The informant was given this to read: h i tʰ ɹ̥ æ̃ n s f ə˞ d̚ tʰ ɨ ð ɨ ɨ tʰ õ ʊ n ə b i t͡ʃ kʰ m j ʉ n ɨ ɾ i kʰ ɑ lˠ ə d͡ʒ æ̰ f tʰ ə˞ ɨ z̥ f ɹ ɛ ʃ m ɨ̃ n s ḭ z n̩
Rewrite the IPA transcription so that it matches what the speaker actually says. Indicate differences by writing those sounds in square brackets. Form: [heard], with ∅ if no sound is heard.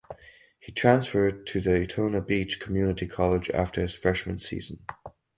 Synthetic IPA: h i tʰ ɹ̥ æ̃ n s f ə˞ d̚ tʰ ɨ ð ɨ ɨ tʰ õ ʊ n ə b i t͡ʃ kʰ m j ʉ n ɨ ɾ i kʰ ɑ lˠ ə d͡ʒ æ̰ f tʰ ə˞ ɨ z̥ f ɹ ɛ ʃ m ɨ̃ n s ḭ z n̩